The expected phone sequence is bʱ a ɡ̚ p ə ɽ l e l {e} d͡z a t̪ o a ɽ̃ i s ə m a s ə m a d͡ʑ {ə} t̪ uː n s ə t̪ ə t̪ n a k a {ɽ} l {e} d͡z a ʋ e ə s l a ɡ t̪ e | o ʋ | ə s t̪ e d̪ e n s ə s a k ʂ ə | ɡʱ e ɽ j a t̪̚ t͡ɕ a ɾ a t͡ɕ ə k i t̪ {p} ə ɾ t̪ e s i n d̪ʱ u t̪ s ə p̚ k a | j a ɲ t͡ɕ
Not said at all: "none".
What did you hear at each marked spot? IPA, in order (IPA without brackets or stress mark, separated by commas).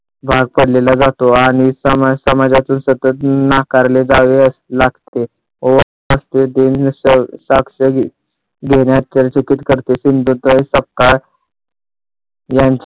a, a, ɾ, e, k